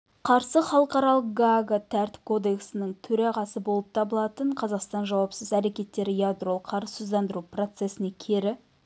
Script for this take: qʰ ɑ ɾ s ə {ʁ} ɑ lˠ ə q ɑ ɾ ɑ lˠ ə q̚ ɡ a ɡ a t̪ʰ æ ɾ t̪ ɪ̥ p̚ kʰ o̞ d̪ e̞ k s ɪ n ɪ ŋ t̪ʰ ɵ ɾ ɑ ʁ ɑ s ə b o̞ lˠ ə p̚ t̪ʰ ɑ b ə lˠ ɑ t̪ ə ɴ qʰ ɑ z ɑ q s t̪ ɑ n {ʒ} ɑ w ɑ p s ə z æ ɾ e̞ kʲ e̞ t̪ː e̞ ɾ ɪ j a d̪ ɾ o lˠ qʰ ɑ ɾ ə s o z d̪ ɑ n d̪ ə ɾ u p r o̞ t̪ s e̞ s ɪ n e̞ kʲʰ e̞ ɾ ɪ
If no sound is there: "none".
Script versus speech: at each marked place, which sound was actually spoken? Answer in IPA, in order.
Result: χ, ʒ

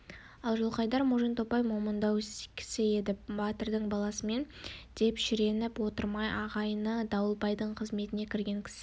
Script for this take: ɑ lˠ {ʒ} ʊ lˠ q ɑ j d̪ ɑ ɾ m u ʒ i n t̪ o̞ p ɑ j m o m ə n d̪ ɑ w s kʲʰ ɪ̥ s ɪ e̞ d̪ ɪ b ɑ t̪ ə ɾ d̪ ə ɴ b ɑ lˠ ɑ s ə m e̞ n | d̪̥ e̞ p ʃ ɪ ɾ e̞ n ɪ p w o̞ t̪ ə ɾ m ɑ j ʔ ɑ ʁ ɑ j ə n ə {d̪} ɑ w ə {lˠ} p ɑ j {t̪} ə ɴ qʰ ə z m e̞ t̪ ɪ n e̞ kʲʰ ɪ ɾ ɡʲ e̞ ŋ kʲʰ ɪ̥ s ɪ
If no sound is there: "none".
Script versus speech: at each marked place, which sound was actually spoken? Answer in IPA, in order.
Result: ʒ, d̪, lˠ, d̪

